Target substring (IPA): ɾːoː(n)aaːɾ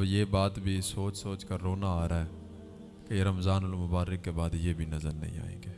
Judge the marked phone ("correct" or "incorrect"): correct